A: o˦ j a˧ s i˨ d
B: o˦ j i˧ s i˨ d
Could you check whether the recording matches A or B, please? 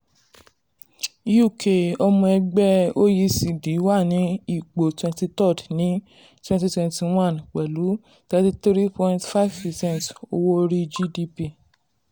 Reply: B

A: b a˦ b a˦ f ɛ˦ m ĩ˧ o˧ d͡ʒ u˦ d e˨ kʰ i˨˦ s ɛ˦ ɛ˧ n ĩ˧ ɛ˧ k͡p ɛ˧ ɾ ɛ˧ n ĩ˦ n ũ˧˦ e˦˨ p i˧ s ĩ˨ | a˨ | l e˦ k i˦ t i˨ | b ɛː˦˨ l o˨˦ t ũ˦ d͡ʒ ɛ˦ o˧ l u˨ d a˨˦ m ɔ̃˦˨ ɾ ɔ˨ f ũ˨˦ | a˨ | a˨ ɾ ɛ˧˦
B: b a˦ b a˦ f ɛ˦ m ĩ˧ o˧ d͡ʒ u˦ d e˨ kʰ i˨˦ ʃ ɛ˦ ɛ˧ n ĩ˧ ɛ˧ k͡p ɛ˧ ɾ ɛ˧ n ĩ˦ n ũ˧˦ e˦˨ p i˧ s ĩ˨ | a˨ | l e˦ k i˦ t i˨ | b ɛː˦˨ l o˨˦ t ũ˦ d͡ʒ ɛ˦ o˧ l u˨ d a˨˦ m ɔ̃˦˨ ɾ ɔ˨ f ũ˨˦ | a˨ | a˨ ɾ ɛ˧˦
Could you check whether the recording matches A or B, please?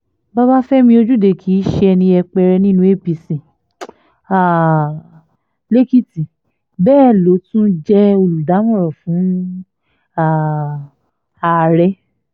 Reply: B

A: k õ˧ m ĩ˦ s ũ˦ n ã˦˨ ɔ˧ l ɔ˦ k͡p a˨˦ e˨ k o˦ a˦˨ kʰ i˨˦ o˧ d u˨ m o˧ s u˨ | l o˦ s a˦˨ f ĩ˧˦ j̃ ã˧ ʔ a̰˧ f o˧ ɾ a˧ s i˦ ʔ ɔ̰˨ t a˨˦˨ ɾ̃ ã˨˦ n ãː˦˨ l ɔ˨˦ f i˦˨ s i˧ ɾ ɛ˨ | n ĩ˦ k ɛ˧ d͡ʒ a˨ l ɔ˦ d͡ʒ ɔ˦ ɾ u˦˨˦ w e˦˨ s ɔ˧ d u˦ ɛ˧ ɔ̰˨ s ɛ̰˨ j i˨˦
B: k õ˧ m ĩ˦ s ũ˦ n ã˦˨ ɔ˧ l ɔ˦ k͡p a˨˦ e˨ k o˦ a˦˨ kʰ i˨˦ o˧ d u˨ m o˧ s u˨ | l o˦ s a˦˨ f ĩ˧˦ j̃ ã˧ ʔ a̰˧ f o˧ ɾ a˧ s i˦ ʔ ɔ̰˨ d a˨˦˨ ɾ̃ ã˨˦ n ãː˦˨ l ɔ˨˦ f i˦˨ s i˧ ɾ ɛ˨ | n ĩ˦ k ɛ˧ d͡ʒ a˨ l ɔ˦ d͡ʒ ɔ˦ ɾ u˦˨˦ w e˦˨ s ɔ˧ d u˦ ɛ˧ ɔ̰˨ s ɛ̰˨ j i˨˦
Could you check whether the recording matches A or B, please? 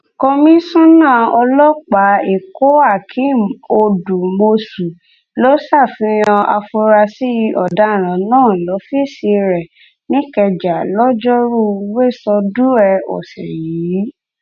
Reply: B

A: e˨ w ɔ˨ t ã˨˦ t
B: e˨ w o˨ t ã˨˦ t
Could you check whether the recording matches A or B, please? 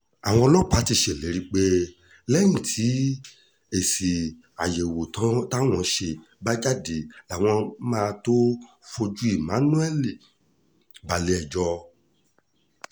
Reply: B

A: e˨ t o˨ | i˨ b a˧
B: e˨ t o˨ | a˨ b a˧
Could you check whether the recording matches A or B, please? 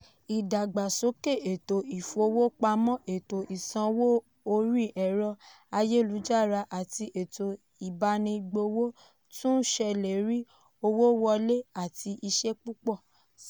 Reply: A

